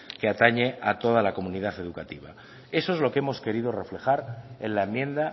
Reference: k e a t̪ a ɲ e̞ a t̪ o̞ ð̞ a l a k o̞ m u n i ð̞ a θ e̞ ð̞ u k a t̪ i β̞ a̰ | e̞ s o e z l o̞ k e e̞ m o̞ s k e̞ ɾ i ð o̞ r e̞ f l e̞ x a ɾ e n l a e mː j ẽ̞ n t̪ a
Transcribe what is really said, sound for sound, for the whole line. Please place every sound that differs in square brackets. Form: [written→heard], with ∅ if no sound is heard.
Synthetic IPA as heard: k e a t̪ a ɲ e̞ a t̪ o̞ ð̞ a l a k o̞ m u n i ð̞ a θ e̞ ð̞ u k a t̪ i β̞ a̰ | e̞ s o e z l o̞ k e e̞ m o̞ s k e̞ ɾ i ð o̞ r e̞ f l e̞ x a ɾ e n l a e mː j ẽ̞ n [t̪→d̪] a